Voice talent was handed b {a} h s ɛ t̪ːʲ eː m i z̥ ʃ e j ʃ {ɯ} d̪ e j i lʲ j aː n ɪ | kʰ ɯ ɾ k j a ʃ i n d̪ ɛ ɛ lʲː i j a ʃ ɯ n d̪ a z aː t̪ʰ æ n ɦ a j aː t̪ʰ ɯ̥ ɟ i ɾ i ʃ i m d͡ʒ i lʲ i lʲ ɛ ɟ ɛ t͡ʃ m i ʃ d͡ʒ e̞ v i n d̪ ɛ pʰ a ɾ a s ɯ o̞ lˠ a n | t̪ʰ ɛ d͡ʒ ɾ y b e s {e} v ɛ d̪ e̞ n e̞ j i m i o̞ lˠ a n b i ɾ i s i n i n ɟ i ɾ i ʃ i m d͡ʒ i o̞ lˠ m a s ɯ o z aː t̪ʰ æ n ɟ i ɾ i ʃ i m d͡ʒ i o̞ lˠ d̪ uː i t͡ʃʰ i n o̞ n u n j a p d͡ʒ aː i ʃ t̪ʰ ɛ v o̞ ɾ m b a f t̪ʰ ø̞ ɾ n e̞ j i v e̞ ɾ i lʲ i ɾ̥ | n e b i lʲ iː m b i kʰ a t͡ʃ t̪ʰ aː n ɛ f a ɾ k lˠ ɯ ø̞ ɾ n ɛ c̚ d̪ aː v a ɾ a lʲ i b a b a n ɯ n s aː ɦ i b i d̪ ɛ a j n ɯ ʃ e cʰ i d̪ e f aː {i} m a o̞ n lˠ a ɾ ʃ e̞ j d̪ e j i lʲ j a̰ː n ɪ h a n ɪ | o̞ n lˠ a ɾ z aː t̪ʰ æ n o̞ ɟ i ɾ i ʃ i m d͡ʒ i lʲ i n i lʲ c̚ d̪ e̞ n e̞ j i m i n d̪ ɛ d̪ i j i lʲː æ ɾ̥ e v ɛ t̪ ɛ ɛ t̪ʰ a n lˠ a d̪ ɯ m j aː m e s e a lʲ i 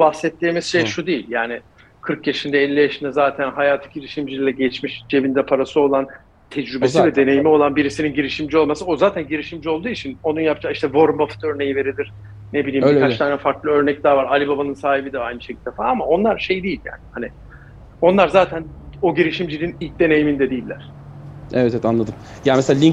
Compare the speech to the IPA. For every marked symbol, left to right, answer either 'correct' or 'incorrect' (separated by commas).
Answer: correct, incorrect, incorrect, incorrect